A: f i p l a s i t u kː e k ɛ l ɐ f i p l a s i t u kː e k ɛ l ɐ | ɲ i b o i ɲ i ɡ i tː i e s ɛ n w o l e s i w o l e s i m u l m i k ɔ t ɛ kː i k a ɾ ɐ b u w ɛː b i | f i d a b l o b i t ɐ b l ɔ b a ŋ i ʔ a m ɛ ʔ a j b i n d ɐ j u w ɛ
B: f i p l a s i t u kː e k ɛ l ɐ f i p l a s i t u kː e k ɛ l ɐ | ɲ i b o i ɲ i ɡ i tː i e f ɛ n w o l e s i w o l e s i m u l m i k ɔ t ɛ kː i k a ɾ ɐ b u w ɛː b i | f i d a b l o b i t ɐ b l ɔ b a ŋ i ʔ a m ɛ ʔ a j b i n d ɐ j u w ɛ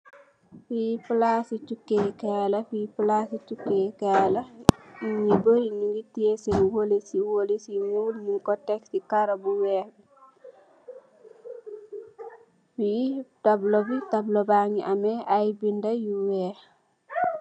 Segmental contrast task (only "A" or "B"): A